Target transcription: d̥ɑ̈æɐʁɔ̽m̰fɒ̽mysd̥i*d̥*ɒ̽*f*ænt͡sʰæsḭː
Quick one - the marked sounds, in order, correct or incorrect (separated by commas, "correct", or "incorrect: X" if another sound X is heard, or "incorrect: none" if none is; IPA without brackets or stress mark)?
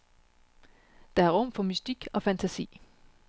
incorrect: ɡ̥, correct